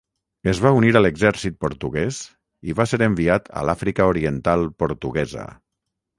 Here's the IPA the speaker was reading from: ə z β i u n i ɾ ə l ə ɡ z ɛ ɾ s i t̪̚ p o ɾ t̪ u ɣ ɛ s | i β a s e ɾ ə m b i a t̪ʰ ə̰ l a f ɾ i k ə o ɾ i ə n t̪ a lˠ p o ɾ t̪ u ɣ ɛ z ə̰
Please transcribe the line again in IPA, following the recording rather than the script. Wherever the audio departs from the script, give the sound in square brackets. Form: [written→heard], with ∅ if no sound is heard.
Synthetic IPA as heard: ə z β [i→a] u n i ɾ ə l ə ɡ z ɛ ɾ s i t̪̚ p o ɾ t̪ u ɣ ɛ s | i β a s e ɾ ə m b i a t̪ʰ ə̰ l a f ɾ i k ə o ɾ i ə n t̪ a lˠ p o ɾ t̪ u ɣ ɛ z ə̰